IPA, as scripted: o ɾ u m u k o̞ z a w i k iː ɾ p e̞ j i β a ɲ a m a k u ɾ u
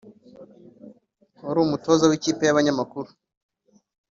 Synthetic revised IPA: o ɾ u m u t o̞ z a w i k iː p e̞ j a β a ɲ a m a k u ɾ u